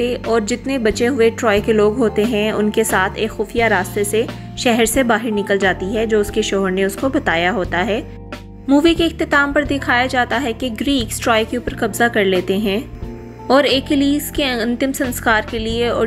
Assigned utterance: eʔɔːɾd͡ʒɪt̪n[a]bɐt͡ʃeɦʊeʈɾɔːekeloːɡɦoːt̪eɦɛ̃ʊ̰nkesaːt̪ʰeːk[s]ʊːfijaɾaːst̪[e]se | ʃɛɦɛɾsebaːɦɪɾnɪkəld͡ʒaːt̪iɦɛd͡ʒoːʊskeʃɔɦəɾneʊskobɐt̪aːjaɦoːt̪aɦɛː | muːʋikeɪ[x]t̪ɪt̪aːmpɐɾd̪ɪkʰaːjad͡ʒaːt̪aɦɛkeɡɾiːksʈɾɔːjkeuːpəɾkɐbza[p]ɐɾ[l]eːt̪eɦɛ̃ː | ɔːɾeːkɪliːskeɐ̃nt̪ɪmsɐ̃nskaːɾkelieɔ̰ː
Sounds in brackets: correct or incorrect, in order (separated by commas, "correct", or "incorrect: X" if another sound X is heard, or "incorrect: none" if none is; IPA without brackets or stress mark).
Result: incorrect: e, incorrect: x, correct, correct, incorrect: k, correct